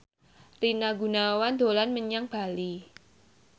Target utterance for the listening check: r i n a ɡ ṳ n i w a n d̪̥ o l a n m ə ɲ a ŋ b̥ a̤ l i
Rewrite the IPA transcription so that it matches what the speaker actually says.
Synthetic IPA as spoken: r i n a ɡ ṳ n a w a n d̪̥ o l a n m ə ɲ a ŋ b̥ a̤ l i